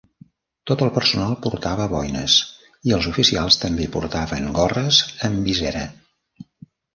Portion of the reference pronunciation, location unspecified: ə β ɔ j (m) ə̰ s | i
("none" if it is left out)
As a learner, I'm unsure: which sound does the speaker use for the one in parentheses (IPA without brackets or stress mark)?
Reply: n